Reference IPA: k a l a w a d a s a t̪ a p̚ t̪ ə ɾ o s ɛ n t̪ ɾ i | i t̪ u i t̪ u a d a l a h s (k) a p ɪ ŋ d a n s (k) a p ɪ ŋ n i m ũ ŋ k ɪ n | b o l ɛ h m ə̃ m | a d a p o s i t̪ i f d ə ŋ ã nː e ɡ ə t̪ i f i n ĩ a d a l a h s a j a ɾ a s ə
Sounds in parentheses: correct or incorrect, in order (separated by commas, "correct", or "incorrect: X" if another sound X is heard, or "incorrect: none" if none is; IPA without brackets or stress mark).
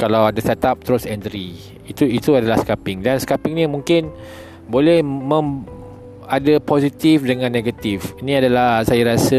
correct, correct